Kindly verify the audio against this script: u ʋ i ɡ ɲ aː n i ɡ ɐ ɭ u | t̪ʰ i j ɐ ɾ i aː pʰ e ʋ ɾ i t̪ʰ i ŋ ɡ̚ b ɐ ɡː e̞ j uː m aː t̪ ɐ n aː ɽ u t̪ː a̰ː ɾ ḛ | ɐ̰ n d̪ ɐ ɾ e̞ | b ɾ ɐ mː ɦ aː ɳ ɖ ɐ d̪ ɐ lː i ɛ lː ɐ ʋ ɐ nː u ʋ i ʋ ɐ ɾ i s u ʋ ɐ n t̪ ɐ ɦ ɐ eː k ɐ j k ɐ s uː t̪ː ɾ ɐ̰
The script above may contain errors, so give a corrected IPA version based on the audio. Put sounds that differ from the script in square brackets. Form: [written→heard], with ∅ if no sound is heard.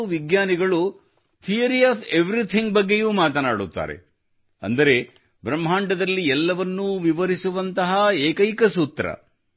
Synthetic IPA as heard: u ʋ i ɡ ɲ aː n i ɡ ɐ ɭ u | t̪ʰ i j ɐ ɾ i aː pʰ e ʋ ɾ i t̪ʰ i ŋ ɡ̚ b ɐ ɡː e̞ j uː m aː t̪ ɐ n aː ɽ u t̪ː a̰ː ɾ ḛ | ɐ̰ n d̪ ɐ ɾ e̞ | b ɾ ɐ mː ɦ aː ɳ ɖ ɐ d̪ ɐ lː i ɛ lː ɐ ʋ ɐ nː u ʋ i ʋ ɐ ɾ i s u ʋ ɐ n t̪ ɐ ɦ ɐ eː k ɐ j k ɐ s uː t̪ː ɾ ɐ̰